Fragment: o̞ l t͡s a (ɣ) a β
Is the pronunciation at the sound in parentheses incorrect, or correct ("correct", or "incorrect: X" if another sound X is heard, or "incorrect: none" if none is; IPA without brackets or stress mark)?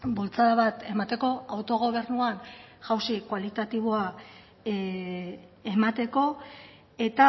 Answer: incorrect: ð